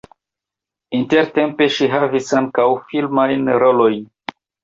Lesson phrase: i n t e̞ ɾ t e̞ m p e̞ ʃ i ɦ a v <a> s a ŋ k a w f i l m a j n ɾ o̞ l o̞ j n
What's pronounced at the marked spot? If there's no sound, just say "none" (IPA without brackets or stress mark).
i